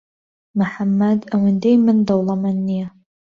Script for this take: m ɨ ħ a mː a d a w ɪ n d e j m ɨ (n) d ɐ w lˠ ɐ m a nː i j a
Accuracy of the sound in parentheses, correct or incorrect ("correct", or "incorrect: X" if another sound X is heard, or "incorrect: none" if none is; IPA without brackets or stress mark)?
correct